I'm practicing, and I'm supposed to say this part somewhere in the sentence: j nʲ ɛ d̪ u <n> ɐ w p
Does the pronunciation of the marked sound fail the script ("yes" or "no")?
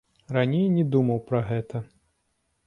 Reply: yes